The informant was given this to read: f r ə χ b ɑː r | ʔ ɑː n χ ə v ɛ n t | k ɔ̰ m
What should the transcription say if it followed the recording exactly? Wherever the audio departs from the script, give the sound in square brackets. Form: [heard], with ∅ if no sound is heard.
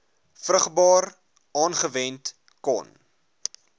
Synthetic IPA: f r ə χ b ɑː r | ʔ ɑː n χ ə v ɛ n t | k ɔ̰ [n]